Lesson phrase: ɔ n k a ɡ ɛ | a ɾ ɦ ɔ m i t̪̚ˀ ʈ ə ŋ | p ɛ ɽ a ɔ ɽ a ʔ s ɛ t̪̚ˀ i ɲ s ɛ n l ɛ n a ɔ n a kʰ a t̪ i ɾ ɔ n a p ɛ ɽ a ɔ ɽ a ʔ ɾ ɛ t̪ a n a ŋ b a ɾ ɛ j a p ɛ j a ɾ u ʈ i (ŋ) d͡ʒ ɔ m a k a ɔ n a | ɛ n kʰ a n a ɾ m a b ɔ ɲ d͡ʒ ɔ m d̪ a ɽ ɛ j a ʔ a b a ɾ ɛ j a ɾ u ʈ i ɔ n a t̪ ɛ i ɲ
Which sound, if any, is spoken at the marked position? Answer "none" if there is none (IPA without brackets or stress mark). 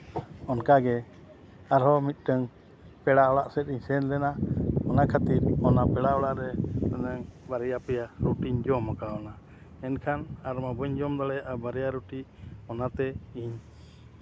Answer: ɲ